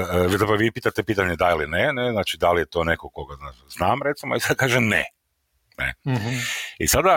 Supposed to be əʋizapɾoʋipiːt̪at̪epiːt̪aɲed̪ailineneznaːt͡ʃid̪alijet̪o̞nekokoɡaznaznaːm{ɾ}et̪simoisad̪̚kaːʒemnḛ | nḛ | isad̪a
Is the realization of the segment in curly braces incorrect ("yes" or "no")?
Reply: no